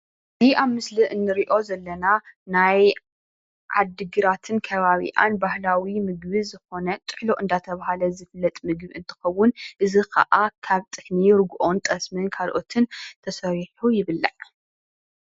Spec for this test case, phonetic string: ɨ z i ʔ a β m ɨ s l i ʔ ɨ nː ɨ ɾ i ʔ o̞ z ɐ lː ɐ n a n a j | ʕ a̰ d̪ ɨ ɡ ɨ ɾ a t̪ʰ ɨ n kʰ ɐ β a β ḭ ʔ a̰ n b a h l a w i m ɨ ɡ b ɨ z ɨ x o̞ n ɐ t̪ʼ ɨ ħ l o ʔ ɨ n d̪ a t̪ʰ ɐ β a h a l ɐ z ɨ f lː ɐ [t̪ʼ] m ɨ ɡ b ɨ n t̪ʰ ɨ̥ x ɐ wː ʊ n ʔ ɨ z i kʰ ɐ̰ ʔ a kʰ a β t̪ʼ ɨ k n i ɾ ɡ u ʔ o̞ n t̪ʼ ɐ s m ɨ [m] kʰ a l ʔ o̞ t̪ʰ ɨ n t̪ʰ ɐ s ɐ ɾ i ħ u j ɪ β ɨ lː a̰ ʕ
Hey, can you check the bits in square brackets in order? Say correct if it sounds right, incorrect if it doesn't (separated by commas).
correct, incorrect